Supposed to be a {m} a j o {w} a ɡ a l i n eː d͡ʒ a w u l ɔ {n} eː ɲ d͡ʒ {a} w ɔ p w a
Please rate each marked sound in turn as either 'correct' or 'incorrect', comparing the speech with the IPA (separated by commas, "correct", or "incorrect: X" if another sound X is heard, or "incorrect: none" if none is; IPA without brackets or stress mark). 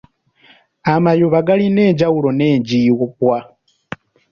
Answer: correct, incorrect: β, correct, incorrect: i